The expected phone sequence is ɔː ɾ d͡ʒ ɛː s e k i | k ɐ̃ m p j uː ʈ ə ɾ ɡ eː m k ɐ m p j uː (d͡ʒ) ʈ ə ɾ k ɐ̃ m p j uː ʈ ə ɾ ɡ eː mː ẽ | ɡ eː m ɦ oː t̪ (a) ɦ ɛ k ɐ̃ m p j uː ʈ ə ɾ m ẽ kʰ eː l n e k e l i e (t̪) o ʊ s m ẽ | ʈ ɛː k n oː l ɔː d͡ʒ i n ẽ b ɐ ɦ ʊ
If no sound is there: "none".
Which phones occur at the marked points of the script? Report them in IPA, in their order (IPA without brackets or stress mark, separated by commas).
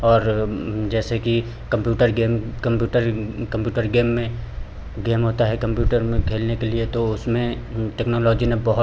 none, a, t̪